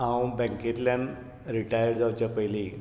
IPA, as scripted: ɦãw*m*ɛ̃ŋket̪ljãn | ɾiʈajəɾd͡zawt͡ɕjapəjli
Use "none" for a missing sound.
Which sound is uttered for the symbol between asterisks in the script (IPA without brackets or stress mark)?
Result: b